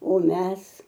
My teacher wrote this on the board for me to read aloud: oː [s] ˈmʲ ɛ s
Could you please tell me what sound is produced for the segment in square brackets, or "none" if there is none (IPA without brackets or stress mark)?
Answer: none